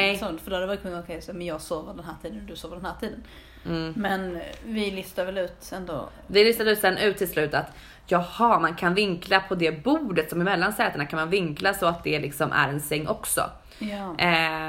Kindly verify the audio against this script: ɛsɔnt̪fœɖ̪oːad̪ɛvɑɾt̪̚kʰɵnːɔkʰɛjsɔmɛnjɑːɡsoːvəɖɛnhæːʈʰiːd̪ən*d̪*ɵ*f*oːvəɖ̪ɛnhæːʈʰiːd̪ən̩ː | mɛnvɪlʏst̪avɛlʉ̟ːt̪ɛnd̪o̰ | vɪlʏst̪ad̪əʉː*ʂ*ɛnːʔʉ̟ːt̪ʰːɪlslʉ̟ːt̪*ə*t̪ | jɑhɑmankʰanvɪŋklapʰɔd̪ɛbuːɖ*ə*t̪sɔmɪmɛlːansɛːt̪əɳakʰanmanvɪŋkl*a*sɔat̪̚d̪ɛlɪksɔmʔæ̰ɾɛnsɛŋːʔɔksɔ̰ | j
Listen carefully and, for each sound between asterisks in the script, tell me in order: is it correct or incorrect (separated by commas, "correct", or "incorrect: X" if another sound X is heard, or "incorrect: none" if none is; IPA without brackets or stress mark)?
correct, incorrect: s, incorrect: s, incorrect: a, correct, correct